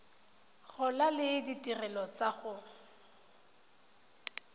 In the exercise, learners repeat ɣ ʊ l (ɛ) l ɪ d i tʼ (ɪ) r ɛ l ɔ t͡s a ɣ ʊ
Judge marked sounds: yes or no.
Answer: no, no

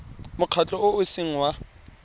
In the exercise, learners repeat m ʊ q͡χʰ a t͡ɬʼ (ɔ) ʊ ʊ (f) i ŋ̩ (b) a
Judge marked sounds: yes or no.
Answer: yes, no, no

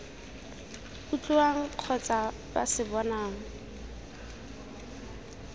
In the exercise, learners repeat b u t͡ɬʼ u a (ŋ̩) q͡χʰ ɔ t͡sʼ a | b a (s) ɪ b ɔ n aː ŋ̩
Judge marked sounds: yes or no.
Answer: yes, yes

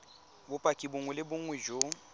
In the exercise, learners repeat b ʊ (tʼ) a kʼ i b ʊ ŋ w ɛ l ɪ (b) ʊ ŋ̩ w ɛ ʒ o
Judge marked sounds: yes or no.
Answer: no, yes

